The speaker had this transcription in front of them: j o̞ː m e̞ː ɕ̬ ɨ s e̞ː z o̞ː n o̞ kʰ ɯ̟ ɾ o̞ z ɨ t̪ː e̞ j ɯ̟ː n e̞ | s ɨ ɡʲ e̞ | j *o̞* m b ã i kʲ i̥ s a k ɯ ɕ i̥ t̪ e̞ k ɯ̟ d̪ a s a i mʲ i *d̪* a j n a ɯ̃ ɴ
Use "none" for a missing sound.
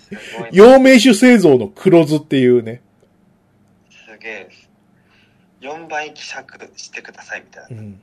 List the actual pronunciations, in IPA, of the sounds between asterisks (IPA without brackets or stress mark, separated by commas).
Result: õ̞, t̪